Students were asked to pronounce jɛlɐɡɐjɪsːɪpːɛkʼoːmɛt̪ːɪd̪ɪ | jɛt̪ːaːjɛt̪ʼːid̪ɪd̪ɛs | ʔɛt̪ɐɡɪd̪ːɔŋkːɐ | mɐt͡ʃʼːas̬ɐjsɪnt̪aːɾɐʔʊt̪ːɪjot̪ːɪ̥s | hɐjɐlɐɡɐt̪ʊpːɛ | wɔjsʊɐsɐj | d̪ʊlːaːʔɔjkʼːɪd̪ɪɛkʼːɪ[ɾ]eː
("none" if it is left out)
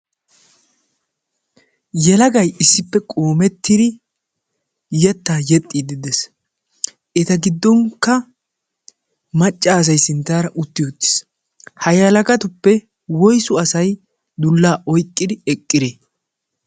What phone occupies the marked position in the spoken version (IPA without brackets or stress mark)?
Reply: ɾ